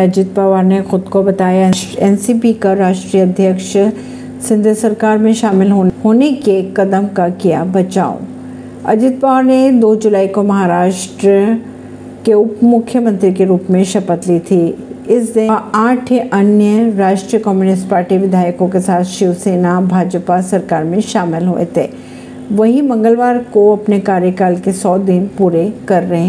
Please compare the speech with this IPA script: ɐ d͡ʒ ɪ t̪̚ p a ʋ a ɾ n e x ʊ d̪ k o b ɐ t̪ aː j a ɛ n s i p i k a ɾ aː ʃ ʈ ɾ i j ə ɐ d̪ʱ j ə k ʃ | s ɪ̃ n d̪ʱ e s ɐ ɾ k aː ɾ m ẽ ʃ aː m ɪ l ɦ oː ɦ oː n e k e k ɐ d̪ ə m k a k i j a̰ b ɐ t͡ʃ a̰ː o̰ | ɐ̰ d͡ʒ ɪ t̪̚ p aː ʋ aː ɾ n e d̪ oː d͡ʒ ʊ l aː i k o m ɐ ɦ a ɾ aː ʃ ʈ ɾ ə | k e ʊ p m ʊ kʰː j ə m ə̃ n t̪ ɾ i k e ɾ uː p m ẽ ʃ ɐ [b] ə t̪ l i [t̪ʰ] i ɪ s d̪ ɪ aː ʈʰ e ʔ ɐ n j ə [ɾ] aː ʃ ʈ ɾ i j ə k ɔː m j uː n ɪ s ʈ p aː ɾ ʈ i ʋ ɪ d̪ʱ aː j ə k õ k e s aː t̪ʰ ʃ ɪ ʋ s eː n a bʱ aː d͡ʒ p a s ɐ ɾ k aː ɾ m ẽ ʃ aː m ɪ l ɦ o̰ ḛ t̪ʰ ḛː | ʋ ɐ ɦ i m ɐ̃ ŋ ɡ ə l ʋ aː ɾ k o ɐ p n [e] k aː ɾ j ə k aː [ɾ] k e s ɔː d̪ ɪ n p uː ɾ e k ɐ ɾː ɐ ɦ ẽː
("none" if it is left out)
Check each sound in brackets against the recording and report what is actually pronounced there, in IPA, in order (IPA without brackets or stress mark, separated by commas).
p, t̪ʰ, ɾ, e, l